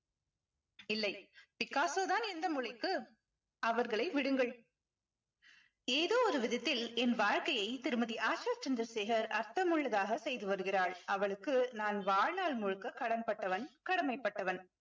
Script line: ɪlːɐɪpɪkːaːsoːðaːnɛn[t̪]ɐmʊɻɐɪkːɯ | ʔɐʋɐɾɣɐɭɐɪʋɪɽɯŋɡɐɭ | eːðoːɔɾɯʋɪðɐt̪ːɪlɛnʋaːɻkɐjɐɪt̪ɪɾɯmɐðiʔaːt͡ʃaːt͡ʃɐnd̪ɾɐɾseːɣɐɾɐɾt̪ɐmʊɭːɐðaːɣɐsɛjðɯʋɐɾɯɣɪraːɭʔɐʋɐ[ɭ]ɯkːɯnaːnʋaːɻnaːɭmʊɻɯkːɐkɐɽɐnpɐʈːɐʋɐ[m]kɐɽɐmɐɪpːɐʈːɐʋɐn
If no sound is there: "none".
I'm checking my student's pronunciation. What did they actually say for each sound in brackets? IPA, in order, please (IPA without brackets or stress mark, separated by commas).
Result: d̪, ɭ, n